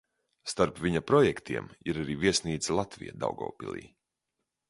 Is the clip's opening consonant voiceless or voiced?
voiceless